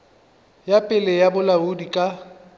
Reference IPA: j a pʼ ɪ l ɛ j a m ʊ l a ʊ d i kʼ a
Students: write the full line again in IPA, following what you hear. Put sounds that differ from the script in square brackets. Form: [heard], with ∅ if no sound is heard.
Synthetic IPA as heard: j a pʼ ɪ l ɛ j a [b] ʊ l a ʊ d i kʼ a